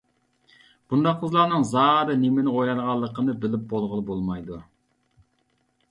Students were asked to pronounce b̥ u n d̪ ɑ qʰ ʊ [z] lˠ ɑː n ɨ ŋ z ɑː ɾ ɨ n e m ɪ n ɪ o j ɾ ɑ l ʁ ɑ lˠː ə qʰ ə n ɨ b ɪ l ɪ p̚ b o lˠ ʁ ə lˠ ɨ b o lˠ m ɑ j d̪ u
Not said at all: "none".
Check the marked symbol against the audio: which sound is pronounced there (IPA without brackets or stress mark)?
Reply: z